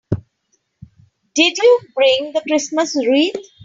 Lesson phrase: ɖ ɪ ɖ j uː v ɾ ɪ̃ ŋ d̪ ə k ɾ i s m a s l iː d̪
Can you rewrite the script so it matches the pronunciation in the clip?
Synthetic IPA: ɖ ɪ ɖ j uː b ɾ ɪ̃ ŋ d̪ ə k ɾ ɪ s m ə s ɾ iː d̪